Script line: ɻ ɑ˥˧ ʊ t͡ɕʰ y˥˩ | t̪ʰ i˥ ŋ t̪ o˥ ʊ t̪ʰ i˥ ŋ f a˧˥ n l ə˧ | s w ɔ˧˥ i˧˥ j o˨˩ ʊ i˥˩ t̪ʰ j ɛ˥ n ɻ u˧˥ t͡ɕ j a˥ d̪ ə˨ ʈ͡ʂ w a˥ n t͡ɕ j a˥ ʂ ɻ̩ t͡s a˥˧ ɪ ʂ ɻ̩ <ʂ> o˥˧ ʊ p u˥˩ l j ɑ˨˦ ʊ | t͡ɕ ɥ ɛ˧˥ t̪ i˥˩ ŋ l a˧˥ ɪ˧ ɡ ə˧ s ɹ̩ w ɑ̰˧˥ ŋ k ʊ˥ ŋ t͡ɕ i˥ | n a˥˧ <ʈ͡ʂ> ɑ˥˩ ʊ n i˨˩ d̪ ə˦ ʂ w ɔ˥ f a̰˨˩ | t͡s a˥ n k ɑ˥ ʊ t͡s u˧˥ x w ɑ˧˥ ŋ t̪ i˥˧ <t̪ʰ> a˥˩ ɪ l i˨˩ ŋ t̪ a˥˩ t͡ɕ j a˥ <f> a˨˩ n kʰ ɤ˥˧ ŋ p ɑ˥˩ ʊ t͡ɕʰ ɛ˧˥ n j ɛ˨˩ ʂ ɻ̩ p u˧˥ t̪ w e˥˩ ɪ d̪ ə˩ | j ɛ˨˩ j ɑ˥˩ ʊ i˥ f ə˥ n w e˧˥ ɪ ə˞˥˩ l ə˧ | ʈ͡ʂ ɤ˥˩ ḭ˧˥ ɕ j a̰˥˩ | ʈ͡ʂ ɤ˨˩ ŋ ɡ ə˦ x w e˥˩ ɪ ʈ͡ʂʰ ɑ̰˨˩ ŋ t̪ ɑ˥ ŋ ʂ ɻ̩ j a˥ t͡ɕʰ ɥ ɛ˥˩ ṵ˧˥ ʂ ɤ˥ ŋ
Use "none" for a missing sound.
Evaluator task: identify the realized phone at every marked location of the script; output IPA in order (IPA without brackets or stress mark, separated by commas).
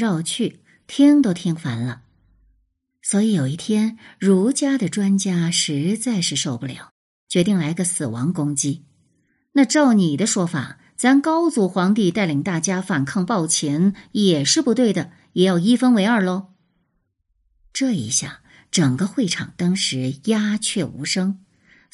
ʂ, ʈ͡ʂ, t̪, f